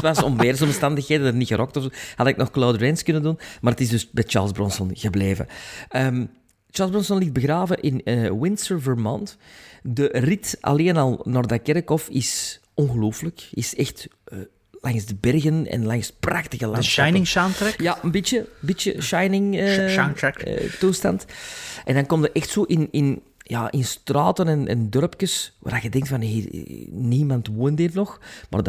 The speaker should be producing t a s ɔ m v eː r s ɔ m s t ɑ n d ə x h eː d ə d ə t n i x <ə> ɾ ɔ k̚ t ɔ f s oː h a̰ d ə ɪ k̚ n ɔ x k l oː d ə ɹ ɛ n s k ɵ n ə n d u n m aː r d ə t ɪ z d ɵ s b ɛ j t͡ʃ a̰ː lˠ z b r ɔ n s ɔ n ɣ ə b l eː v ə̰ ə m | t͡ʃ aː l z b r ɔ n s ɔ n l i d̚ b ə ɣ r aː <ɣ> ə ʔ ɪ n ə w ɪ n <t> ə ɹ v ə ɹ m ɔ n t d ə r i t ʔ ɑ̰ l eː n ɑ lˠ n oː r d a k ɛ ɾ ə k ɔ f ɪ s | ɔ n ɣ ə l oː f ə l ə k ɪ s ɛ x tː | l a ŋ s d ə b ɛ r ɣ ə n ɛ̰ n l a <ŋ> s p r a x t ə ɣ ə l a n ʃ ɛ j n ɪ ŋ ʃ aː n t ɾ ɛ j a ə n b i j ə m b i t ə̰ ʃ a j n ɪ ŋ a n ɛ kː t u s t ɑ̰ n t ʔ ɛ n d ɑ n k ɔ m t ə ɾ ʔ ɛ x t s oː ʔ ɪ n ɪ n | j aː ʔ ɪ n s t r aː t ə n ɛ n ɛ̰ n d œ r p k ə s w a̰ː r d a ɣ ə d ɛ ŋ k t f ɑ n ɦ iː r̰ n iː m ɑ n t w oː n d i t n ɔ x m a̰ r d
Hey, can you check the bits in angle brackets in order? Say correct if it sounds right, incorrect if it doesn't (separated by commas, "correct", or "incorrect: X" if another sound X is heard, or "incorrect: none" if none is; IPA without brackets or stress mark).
correct, incorrect: v, incorrect: s, correct